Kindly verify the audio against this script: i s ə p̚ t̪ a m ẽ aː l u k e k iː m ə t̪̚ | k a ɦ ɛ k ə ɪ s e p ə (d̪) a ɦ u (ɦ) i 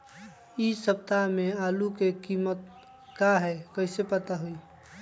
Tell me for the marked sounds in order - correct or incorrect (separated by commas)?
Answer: incorrect, incorrect